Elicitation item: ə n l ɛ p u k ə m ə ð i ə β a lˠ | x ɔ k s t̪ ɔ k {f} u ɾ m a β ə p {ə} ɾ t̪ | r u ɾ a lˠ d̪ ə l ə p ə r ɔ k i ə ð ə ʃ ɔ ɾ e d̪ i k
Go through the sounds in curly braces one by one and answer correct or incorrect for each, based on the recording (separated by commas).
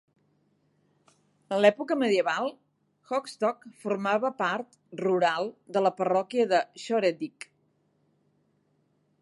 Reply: correct, incorrect